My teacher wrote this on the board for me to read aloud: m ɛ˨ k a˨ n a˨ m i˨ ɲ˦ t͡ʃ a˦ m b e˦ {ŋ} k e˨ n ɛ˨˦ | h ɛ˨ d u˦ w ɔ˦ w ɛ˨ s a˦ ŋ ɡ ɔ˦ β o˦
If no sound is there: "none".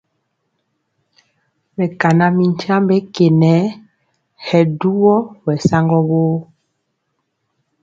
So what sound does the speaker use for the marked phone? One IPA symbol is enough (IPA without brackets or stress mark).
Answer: none